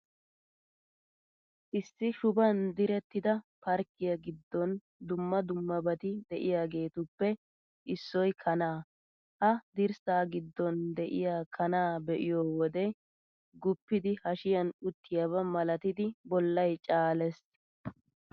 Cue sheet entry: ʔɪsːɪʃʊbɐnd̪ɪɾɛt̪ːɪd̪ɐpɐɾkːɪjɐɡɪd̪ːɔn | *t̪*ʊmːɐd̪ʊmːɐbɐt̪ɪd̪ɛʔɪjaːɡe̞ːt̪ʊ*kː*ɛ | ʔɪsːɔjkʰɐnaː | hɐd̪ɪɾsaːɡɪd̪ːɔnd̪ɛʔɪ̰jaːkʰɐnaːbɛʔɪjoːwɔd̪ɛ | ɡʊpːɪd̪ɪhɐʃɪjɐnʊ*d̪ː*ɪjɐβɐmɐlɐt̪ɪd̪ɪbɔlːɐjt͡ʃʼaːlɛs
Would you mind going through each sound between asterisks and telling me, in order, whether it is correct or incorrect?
incorrect: d̪, incorrect: pː, incorrect: t̪ː

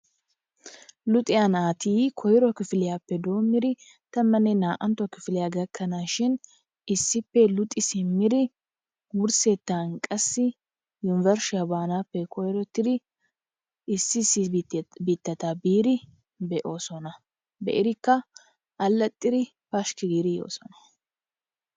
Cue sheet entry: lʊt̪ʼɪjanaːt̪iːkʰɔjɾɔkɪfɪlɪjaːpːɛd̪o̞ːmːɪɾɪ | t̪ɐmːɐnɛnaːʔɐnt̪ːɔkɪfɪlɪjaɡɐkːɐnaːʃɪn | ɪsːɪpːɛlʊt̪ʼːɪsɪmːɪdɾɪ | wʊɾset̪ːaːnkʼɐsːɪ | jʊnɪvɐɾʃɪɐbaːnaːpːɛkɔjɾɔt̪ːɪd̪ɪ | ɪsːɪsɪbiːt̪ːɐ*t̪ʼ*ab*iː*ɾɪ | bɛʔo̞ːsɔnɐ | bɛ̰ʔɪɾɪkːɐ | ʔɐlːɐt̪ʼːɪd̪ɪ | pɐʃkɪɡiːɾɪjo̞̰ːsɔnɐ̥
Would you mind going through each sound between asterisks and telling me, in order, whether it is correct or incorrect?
incorrect: t̪, correct

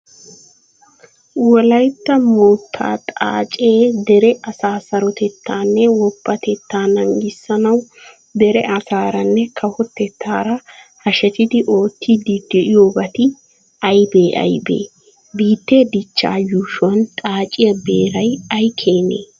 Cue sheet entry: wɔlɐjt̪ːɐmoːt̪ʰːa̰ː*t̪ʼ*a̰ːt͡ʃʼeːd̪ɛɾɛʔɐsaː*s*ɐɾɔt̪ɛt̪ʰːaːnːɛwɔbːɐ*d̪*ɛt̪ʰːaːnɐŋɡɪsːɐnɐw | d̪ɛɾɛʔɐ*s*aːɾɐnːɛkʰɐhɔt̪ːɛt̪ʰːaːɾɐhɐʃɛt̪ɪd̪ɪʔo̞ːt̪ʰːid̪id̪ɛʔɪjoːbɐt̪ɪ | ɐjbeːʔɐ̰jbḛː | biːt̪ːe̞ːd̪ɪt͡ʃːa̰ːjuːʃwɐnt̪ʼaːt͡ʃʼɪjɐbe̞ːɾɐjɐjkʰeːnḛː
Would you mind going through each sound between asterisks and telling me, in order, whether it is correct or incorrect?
correct, correct, incorrect: t̪, correct

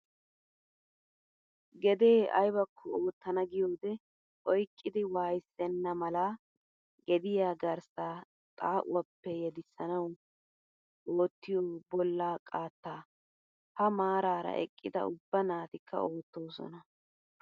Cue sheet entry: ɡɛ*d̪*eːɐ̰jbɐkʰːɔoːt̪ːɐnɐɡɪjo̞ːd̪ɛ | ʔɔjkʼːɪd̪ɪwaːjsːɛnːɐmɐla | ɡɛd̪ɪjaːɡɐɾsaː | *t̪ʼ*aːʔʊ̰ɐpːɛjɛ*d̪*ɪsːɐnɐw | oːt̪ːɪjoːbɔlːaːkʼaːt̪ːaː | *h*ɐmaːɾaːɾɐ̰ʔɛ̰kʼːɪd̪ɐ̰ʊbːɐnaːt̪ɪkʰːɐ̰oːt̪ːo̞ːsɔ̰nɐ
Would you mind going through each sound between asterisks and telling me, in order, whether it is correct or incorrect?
correct, correct, correct, correct

